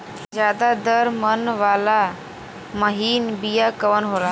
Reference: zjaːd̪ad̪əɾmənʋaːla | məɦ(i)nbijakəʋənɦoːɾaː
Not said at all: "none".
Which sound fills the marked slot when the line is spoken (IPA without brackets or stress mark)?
iː